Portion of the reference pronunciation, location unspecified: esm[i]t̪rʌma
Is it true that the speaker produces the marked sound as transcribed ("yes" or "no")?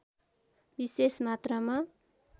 no